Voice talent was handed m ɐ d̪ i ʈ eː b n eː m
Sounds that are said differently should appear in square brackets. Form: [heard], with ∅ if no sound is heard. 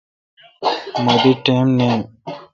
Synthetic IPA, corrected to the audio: m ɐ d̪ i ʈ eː [m] n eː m